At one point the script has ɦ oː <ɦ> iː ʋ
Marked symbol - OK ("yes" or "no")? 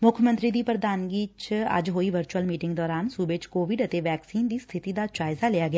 no